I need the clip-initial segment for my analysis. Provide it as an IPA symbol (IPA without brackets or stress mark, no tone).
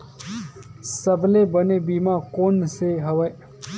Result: s